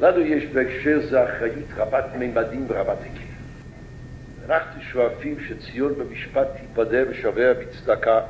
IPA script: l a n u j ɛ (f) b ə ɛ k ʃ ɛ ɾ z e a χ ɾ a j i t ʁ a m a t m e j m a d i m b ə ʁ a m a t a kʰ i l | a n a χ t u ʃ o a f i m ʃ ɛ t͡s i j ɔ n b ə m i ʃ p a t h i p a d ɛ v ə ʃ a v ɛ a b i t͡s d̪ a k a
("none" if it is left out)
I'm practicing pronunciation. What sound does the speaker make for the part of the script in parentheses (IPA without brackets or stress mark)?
ʃ